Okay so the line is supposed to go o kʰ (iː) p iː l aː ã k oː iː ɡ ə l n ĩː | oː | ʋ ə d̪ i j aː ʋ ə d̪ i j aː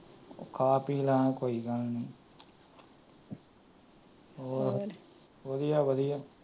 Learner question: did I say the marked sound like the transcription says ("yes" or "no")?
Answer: no